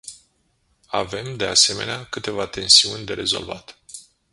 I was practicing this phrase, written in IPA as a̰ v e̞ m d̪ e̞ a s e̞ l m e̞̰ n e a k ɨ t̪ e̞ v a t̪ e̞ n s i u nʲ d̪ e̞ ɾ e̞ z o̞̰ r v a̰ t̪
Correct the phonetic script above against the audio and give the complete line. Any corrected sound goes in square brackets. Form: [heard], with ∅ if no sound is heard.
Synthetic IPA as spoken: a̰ v e̞ m d̪ e̞ a s e̞ [∅] m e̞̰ n e a k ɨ t̪ e̞ v a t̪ e̞ n s i u nʲ d̪ e̞ ɾ e̞ z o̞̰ [l] v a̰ t̪